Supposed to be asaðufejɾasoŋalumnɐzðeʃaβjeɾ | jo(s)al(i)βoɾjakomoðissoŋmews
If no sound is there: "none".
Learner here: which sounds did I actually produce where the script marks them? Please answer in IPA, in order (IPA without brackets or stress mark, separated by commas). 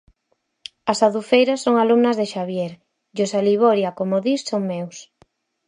s, i